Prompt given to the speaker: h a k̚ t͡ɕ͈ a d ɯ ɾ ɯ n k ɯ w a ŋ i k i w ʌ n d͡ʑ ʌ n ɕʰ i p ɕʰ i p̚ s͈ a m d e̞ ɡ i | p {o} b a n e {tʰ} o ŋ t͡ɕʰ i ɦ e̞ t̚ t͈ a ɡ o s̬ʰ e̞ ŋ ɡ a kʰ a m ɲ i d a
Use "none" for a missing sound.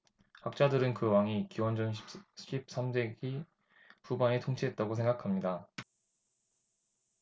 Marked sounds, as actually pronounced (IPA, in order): u, tʰ

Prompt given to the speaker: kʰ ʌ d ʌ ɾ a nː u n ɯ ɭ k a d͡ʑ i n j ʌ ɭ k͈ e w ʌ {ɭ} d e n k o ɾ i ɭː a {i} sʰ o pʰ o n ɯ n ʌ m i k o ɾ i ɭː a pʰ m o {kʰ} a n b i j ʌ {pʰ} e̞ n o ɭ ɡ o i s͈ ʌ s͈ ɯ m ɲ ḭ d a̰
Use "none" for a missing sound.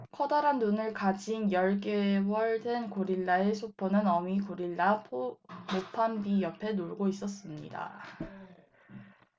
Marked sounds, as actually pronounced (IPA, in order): ɭ, e, pʰ, pʰ

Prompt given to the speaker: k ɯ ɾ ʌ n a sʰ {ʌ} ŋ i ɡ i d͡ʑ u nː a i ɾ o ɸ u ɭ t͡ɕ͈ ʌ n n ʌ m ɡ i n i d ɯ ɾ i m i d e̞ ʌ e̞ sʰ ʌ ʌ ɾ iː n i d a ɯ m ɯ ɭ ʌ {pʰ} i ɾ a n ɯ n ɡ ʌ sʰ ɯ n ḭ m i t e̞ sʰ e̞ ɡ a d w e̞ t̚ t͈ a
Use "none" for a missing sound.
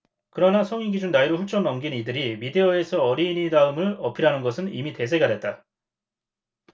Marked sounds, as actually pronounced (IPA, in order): ʌ, pʰ

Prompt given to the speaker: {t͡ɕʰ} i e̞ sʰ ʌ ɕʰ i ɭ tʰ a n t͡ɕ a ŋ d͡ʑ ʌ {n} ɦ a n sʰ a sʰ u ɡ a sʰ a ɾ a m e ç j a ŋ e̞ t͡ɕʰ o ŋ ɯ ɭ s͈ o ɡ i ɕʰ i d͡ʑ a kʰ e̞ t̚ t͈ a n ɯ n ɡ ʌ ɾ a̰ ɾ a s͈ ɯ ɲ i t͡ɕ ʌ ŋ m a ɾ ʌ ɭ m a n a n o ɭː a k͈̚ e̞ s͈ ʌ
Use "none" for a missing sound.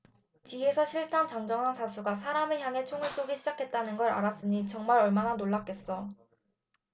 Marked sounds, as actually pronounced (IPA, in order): t͡ɕ, ŋ

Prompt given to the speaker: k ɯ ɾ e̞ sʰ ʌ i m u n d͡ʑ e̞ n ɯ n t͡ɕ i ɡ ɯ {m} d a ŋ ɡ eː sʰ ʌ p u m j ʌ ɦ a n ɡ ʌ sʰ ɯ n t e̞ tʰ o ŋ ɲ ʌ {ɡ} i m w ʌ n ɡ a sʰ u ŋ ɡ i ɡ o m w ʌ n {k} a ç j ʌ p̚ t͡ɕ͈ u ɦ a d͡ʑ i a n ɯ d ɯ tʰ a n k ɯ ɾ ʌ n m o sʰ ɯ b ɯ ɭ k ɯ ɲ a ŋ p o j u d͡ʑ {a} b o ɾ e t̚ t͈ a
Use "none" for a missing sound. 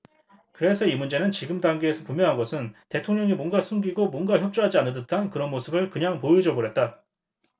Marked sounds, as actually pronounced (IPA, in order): m, ŋ, ɡ, ʌ

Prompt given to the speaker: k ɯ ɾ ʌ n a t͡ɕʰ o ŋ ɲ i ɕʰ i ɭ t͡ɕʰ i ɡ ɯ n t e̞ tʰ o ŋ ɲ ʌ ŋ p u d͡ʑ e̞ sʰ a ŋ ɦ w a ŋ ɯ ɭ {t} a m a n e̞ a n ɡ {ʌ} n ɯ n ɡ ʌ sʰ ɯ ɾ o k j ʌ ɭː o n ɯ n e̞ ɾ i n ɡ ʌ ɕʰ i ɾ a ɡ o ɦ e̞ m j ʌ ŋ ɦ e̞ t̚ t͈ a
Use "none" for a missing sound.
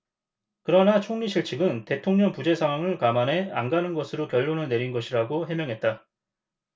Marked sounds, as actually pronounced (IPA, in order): k, a

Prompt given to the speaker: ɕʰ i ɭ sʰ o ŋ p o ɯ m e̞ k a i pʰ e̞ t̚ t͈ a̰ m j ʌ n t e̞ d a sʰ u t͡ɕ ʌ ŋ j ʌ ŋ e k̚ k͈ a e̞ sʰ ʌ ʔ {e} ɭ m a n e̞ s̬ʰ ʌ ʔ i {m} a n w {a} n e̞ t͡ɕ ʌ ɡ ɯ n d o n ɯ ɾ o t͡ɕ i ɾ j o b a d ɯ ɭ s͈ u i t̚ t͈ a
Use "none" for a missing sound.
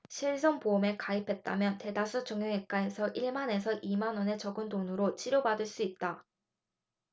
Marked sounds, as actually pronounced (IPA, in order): i, m, ʌ

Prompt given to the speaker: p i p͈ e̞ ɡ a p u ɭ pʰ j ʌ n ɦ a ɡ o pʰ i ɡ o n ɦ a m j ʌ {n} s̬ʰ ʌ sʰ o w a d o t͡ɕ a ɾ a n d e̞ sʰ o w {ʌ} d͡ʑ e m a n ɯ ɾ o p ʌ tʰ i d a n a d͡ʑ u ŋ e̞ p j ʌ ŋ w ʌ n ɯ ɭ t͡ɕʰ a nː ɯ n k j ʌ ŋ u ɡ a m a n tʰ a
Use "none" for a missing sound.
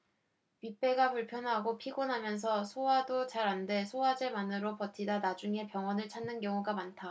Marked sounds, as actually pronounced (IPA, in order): n, a

